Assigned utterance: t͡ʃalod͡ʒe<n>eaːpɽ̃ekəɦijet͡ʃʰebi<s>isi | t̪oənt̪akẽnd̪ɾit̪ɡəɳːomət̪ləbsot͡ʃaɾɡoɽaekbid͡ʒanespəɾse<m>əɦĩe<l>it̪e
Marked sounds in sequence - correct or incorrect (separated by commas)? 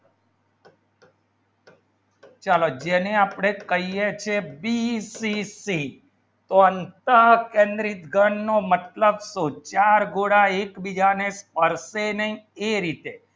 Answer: correct, correct, incorrect, incorrect